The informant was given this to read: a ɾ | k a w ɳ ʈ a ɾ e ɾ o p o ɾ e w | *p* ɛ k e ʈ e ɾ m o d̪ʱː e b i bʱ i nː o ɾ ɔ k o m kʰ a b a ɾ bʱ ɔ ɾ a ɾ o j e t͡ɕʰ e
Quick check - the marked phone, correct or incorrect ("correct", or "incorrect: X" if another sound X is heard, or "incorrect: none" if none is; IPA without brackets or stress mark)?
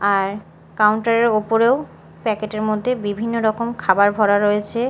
correct